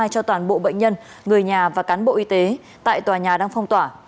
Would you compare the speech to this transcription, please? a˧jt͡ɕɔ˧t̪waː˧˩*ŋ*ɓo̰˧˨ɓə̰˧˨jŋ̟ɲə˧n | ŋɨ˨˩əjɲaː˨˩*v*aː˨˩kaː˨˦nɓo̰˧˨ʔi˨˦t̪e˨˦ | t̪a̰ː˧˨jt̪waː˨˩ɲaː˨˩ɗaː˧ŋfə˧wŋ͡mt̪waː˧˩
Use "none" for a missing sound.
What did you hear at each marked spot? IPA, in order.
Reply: n, v

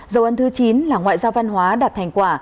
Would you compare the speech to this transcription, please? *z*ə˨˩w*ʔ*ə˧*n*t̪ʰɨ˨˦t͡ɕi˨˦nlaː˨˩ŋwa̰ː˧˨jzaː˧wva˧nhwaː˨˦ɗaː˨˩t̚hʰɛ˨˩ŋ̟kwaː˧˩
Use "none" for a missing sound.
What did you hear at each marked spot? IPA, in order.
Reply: z, ʔ, n

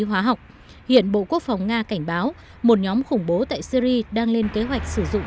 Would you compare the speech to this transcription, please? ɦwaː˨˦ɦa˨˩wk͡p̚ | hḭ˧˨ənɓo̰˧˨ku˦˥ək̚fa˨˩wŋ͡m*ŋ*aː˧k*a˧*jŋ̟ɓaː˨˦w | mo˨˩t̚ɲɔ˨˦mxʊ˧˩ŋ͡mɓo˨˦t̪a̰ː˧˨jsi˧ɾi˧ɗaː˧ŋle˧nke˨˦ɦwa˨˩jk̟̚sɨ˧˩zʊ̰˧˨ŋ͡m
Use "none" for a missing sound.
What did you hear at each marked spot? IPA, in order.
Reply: ŋ, a˧˩

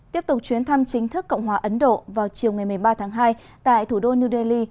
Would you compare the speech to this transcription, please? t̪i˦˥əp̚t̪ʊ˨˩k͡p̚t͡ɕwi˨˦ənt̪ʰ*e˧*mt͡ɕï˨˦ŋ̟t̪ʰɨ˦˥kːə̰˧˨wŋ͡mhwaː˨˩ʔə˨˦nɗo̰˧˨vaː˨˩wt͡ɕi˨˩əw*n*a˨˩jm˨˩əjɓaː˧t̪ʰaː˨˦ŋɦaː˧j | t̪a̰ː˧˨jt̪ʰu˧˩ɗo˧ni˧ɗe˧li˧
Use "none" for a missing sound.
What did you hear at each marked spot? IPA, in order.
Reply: a˧, ŋ

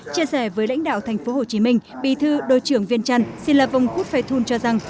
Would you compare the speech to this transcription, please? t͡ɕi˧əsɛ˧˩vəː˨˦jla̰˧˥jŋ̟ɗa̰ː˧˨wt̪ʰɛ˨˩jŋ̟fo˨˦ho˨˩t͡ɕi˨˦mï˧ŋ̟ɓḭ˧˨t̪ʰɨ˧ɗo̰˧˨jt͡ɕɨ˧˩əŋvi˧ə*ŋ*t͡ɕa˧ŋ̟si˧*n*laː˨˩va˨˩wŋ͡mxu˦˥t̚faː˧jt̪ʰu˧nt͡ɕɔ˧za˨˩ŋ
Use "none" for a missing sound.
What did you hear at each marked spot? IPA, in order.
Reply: n, n

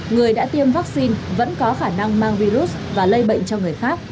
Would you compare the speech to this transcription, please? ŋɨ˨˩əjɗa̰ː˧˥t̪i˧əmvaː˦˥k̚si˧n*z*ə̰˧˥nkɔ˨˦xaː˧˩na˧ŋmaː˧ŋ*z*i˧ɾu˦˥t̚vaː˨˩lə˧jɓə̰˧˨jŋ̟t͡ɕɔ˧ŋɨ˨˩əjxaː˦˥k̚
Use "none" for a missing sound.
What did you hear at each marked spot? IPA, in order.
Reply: v, v

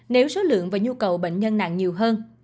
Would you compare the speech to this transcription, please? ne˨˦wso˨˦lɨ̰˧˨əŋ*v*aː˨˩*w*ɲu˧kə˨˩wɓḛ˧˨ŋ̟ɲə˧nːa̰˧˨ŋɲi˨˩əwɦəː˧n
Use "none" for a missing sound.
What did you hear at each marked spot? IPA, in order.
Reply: v, none

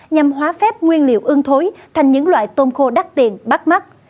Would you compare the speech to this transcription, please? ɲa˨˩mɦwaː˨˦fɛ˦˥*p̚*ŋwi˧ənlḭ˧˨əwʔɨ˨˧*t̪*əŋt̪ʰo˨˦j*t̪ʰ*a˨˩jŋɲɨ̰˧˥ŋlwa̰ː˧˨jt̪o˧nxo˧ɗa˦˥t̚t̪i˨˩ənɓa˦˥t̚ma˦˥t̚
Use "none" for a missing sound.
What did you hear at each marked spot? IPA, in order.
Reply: p̚, none, t̪ʰ

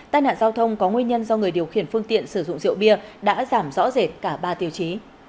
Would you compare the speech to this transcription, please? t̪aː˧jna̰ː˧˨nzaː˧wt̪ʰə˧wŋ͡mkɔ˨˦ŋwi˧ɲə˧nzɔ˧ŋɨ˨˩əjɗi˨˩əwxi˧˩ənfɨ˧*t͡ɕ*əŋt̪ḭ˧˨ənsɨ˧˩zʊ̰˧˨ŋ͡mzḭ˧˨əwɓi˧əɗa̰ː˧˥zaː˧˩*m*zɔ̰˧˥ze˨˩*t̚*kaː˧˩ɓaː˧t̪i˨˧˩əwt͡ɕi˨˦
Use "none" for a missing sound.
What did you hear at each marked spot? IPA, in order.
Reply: none, m, t̚

